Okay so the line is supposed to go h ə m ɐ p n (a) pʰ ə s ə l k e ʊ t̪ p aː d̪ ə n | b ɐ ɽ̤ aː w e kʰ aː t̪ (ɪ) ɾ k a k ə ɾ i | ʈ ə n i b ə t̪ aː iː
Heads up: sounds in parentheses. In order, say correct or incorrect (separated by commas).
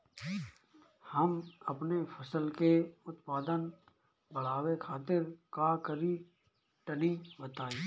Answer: incorrect, correct